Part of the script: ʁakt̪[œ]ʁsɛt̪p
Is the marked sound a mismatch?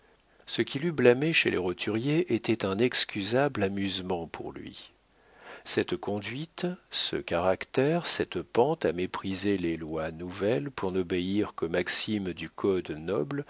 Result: yes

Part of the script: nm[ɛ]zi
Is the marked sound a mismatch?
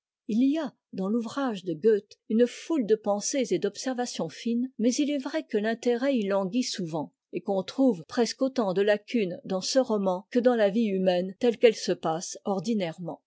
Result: no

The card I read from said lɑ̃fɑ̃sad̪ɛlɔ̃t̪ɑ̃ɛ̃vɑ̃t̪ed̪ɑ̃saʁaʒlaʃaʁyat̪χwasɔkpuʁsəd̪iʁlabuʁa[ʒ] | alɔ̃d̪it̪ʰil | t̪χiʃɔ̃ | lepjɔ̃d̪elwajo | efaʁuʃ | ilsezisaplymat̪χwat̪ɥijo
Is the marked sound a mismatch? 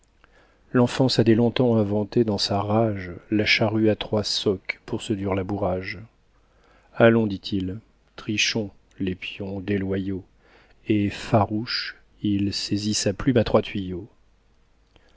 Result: no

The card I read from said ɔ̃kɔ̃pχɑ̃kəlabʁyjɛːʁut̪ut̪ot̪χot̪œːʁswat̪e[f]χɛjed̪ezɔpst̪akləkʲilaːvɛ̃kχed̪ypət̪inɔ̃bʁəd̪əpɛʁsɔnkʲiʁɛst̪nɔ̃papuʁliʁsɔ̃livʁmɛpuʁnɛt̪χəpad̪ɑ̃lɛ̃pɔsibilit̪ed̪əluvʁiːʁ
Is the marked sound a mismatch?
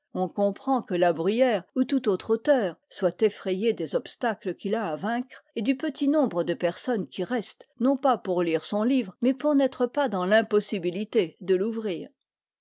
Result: no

